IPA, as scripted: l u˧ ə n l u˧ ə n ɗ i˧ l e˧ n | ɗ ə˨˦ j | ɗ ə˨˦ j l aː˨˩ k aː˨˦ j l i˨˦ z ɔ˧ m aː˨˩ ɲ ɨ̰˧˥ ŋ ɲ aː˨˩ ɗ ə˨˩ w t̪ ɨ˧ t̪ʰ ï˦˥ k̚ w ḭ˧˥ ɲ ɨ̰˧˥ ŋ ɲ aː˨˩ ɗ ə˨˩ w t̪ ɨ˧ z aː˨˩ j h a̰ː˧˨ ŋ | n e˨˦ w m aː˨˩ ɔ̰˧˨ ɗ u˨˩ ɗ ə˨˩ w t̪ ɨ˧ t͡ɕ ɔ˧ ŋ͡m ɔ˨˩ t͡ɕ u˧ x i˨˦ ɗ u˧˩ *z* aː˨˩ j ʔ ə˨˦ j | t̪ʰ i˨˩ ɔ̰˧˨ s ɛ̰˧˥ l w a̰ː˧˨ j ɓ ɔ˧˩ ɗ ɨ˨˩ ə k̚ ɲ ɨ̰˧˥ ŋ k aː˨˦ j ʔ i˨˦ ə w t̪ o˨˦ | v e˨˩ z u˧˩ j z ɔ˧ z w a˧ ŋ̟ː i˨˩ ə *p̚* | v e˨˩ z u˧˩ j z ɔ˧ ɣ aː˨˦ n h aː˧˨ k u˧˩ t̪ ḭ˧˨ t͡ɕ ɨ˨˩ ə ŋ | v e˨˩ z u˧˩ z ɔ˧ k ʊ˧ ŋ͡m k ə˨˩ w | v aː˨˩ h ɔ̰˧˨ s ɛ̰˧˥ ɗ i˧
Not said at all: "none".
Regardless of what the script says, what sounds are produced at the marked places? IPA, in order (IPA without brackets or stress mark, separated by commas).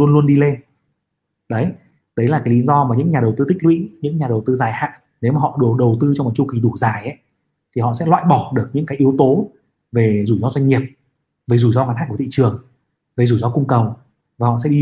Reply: z, p̚